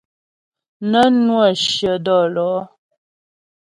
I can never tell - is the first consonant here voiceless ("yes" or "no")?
no